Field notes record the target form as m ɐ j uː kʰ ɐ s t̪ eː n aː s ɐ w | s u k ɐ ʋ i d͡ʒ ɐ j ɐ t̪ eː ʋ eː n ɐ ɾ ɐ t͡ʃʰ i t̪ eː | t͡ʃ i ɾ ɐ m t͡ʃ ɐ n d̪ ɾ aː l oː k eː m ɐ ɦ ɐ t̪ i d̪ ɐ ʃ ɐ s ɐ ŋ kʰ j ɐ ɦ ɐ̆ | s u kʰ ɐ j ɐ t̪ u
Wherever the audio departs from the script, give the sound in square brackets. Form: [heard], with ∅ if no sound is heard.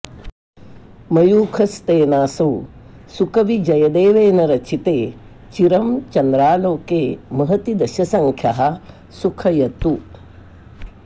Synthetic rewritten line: m ɐ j uː kʰ ɐ s t̪ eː n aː s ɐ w | s u k ɐ ʋ i d͡ʒ ɐ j ɐ [d̪] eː ʋ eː n ɐ ɾ ɐ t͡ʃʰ i t̪ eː | t͡ʃ i ɾ ɐ m t͡ʃ ɐ n d̪ ɾ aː l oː k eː m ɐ ɦ ɐ t̪ i d̪ ɐ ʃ ɐ s ɐ ŋ kʰ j ɐ ɦ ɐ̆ | s u kʰ ɐ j ɐ t̪ u